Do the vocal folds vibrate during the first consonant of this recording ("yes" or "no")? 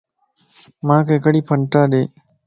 yes